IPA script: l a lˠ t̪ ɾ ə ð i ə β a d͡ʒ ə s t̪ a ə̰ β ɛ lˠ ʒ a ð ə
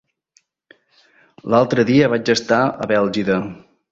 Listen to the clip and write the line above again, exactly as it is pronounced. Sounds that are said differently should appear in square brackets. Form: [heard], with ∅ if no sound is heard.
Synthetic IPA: l a lˠ t̪ ɾ ə ð i ə β a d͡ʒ ə s t̪ a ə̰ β ɛ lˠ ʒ [i] ð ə